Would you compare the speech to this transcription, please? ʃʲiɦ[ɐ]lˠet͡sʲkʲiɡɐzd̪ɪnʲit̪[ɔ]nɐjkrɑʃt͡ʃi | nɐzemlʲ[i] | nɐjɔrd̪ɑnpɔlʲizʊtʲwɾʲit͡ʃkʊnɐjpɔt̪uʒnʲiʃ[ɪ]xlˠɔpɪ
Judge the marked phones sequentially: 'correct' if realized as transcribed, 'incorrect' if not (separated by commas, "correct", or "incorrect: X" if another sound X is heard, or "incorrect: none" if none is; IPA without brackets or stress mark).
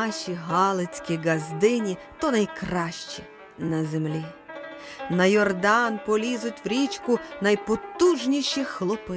incorrect: ɑ, correct, correct, incorrect: i